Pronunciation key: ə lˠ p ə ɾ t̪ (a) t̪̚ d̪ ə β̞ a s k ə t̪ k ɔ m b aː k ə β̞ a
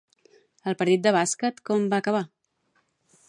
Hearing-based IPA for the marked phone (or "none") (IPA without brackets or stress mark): i